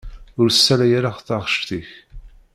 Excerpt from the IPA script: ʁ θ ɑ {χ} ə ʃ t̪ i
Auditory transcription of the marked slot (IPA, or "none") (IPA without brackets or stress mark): ʁ